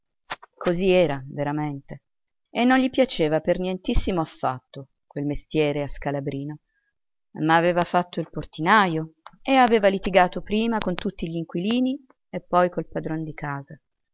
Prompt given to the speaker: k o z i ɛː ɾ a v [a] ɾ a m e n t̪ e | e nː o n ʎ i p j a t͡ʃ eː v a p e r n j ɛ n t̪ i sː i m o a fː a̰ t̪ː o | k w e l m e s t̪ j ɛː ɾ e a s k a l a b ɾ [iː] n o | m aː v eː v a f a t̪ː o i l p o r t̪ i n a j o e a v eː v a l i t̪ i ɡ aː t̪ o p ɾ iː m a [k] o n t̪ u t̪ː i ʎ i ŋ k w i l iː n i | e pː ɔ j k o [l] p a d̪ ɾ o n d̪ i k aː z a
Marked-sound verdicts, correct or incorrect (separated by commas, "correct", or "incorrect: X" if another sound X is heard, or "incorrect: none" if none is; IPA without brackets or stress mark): incorrect: e, correct, correct, correct